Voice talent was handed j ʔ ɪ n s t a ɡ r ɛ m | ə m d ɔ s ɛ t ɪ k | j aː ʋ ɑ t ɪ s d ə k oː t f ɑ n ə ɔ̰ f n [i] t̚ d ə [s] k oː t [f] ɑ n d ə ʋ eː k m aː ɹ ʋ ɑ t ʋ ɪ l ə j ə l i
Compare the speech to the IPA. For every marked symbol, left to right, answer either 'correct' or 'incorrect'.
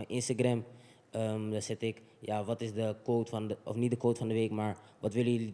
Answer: correct, incorrect: none, correct

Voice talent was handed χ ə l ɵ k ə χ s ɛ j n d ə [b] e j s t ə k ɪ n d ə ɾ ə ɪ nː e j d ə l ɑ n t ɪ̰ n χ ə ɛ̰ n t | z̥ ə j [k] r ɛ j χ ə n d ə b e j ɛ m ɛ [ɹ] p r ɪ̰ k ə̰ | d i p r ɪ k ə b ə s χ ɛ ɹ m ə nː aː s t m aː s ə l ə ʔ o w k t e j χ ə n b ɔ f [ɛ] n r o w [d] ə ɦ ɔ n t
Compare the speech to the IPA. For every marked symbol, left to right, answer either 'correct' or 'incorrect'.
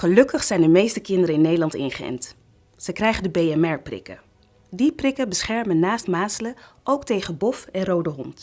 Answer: incorrect: m, correct, correct, correct, correct

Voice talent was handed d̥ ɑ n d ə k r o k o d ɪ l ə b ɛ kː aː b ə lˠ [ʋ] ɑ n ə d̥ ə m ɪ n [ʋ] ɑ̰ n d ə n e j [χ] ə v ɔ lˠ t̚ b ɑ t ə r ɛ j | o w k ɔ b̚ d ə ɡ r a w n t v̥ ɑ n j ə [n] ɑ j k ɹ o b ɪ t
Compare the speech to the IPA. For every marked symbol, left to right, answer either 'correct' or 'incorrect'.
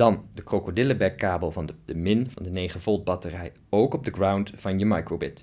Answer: incorrect: v, incorrect: v, correct, incorrect: m

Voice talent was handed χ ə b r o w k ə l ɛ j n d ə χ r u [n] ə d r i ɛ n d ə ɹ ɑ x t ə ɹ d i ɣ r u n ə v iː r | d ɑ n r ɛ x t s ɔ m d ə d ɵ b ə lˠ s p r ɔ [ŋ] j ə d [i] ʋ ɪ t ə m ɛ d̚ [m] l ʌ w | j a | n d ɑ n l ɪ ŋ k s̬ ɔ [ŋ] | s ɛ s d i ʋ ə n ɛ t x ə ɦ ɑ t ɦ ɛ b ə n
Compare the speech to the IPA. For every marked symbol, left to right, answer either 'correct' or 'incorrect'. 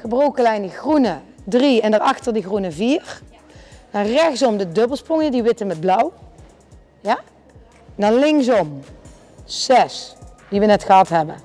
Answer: correct, correct, correct, incorrect: b, incorrect: m

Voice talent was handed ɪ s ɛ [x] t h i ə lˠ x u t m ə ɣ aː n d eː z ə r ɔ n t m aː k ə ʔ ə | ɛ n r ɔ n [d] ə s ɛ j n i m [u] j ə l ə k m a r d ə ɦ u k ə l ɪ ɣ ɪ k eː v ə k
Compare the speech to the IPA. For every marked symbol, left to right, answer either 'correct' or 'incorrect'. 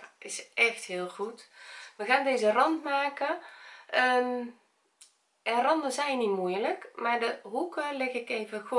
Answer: correct, correct, correct

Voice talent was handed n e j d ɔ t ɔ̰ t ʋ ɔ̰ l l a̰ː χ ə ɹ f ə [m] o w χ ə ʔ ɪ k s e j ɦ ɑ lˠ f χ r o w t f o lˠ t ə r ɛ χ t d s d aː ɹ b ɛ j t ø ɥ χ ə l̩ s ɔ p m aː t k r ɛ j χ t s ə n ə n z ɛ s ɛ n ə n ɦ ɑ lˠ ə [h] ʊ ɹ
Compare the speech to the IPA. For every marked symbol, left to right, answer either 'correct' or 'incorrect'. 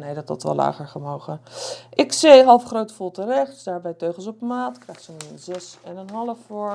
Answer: correct, incorrect: f

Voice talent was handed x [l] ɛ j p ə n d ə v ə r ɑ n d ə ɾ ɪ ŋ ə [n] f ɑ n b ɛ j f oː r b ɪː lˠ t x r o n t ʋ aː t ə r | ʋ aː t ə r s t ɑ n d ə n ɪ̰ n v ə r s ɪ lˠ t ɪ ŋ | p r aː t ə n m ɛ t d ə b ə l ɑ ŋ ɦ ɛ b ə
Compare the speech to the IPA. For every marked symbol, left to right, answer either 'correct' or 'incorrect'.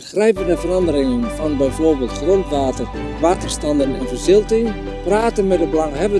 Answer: incorrect: r, correct

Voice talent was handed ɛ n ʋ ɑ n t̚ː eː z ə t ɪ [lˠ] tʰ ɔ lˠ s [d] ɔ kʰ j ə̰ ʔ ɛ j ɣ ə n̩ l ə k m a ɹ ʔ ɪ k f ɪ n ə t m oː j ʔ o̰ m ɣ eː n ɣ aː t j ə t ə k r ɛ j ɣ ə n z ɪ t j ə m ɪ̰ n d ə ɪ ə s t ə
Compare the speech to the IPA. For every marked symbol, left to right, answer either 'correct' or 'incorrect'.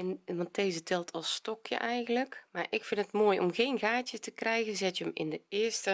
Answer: correct, incorrect: t

